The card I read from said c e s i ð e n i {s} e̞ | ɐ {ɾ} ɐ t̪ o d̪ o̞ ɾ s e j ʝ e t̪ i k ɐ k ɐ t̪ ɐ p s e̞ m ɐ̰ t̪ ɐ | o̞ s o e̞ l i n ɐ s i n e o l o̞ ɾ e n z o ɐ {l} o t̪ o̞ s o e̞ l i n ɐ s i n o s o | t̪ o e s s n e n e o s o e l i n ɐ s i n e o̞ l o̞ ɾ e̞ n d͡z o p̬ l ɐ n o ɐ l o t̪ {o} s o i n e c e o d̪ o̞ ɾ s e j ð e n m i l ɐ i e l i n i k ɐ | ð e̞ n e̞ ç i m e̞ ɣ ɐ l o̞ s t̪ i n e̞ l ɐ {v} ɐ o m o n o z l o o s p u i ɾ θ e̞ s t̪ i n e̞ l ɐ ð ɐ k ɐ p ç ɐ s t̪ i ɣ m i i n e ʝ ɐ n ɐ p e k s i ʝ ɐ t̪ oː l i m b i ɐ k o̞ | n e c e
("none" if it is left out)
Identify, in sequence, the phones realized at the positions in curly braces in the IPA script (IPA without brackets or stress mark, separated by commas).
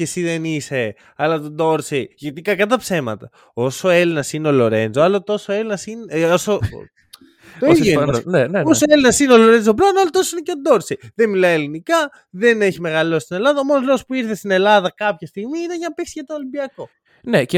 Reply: s, l, l, o, ð